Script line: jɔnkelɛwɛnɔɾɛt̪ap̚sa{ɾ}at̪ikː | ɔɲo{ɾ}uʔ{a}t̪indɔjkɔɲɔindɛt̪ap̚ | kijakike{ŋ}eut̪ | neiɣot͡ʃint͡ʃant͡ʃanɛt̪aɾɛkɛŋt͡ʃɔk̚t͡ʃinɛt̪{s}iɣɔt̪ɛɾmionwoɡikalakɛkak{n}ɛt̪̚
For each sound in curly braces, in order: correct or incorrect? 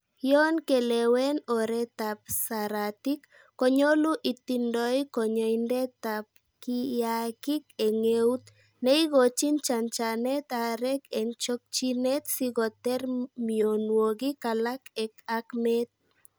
correct, incorrect: l, incorrect: i, correct, correct, incorrect: m

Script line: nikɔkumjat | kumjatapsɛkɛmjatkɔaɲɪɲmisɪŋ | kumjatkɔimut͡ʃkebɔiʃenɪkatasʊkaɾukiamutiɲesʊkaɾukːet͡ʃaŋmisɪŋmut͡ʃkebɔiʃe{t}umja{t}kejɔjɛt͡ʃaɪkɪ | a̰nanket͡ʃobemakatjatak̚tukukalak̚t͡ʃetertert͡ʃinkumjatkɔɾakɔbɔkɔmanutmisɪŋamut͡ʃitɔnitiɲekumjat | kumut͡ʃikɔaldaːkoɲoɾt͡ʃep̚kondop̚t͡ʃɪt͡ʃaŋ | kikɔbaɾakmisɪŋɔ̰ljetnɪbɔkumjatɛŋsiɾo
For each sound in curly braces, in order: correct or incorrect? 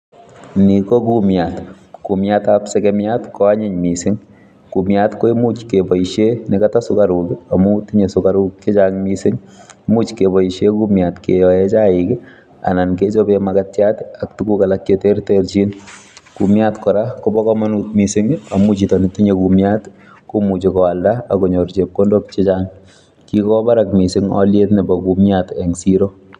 incorrect: k, correct

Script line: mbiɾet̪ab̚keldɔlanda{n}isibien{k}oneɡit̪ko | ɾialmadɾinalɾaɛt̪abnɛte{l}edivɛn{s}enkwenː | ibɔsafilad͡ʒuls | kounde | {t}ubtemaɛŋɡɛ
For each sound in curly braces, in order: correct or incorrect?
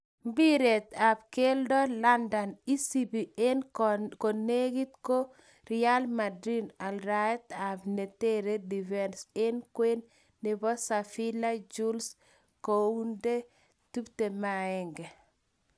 correct, correct, incorrect: ɾ, correct, correct

